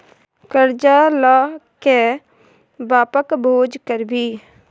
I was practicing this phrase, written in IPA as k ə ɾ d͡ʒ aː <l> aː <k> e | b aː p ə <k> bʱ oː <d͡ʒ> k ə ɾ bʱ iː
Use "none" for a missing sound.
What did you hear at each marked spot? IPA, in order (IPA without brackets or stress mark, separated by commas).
l, k, k, d͡ʒ